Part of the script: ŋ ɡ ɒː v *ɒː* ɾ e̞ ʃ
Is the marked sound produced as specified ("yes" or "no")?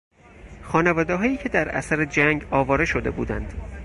yes